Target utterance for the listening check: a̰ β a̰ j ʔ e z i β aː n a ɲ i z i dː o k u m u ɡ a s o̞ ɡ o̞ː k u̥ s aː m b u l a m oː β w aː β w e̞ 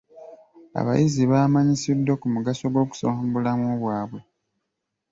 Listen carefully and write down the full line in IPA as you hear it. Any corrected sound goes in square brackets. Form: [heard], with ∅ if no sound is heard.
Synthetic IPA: a̰ β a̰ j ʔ [i] z i β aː [m] a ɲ i [s] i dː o k u m u ɡ a s o̞ ɡ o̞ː k u̥ s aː m b u l a m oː β w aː β w e̞